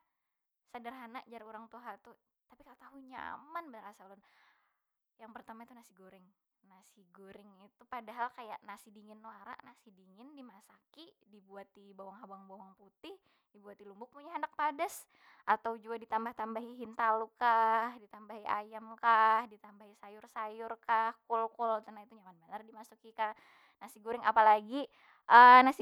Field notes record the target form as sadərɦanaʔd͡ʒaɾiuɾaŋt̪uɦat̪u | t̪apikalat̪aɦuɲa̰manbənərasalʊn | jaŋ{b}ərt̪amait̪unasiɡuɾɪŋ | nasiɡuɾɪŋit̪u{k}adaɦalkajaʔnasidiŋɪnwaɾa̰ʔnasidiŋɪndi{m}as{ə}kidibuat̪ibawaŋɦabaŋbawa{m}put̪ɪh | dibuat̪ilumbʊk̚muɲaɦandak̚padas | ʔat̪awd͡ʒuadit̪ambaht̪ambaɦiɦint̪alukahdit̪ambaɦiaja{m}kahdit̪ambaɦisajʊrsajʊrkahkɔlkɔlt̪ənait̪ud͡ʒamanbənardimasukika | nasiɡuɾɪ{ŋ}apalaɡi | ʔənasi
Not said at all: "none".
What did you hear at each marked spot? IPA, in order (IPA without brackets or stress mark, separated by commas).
p, p, m, a, ŋ, m, ŋ